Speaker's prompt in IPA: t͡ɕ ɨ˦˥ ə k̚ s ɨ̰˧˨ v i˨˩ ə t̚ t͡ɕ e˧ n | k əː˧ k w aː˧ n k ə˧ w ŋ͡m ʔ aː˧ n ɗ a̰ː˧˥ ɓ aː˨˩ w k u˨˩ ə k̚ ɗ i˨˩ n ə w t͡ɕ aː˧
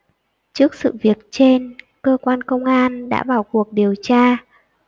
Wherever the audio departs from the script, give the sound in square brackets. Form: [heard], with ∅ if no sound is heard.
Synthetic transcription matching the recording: t͡ɕ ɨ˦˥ ə k̚ s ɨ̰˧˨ v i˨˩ ə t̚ t͡ɕ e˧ n | k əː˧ k w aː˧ n k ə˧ w ŋ͡m ʔ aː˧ n ɗ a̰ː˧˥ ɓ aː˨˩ w k u˨˩ ə k̚ ɗ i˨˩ [∅] ə w t͡ɕ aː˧